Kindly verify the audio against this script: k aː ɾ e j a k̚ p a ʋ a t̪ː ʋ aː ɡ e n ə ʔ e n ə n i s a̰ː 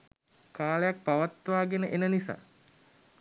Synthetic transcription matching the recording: k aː l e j a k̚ p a ʋ a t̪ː ʋ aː ɡ e n ə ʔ e n ə n i s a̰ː

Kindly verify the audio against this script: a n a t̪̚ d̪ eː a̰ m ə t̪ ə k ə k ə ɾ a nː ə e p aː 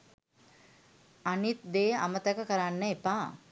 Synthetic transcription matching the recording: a n i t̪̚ d̪ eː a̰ m ə t̪ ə k ə k ə ɾ a nː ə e p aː

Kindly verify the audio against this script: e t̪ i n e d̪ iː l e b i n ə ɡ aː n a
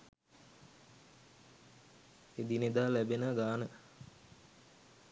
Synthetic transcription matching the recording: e d̪ i n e d̪ aː l æ b e n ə ɡ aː n ə

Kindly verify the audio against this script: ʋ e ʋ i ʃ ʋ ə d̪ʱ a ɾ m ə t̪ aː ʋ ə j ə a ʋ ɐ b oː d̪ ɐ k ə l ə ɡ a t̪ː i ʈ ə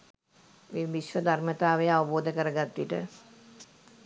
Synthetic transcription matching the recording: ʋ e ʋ i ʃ ʋ ə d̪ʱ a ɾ m ə t̪ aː ʋ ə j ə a ʋ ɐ b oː d̪ ə k ə ɾ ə ɡ a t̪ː i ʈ ə

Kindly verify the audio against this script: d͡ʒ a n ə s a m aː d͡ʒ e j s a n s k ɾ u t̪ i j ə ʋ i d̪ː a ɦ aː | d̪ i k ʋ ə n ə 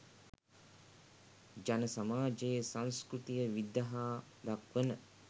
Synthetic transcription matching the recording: d͡ʒ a n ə s a m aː d͡ʒ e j s a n s k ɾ u t̪ i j ə ʋ i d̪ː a ɦ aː | d̪ a k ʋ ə n ə

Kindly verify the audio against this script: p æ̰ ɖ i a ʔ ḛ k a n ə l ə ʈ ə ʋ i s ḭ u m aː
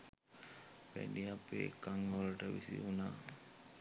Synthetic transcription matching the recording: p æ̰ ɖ i a p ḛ k a ŋ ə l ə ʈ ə ʋ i s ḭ u n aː

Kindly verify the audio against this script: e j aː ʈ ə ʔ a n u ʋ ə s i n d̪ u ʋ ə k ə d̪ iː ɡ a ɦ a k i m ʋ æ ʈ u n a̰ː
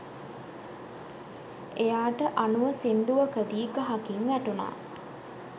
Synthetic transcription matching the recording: e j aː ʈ ə ʔ a n u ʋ ə s i n d̪ u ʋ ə k ə d̪ iː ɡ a ɦ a k i ŋ ʋ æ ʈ u n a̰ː

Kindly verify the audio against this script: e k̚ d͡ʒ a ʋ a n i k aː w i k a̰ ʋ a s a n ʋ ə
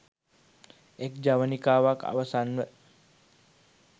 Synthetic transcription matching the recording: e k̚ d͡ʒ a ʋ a n i k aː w a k a̰ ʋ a s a n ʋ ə

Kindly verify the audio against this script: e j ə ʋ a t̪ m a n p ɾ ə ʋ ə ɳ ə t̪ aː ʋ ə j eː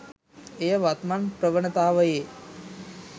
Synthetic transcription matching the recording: e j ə ʋ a t̪ m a n p ɾ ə ʋ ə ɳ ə t̪ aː ʋ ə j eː

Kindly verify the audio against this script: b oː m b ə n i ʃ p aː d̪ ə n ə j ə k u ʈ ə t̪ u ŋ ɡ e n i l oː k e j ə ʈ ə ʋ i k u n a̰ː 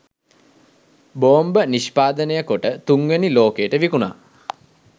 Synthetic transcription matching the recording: b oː m b ə n i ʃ p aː d̪ ə n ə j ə k o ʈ ə t̪ u ŋ ɡ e n i l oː k e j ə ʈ ə ʋ i k u n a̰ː

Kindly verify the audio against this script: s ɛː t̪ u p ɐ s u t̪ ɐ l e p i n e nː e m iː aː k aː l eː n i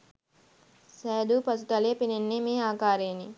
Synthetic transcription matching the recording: s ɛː d̪ u p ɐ s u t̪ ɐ l e p i n e nː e m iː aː k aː ɾ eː n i

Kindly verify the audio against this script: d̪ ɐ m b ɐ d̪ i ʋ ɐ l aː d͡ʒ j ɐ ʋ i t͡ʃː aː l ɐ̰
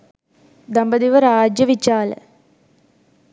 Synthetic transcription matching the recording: d̪ ɐ m b ɐ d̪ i ʋ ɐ ɾ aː d͡ʒ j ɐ ʋ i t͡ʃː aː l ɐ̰

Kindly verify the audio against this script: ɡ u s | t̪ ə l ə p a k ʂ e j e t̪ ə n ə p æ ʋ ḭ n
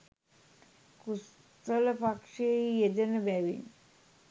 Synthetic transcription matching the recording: k u s | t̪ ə l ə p a k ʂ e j e d̪ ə n ə b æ ʋ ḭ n

